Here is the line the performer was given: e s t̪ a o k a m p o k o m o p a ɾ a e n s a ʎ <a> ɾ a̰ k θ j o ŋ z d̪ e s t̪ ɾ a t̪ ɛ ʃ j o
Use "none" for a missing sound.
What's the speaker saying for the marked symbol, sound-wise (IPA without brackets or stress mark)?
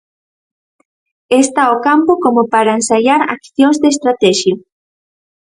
a